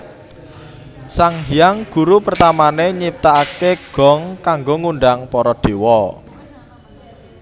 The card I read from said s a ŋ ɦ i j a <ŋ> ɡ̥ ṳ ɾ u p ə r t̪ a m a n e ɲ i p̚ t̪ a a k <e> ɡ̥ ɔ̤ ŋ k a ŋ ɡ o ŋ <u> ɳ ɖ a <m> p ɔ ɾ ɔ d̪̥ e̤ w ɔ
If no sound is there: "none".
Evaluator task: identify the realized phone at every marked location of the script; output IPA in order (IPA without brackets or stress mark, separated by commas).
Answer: ŋ, e, u, ŋ